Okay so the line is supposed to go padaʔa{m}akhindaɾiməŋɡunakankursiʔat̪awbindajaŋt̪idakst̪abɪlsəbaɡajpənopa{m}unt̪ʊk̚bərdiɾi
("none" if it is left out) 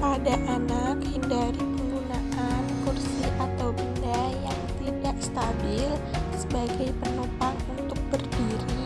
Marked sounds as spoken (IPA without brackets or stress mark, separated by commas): n, ŋ